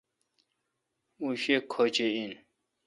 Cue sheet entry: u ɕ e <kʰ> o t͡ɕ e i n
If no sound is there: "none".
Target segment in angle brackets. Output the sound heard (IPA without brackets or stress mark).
kʰ